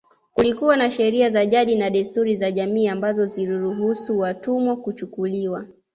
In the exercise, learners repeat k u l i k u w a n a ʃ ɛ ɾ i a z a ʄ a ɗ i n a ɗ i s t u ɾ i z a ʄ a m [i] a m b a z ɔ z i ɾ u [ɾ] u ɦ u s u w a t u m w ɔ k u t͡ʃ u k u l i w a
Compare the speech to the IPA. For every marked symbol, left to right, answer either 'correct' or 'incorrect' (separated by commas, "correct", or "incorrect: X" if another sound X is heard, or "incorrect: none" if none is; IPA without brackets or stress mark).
incorrect: iː, correct